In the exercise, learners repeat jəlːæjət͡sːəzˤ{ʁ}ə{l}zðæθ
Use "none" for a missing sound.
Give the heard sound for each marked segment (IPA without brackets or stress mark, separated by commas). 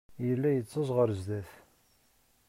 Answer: ʁ, ɾ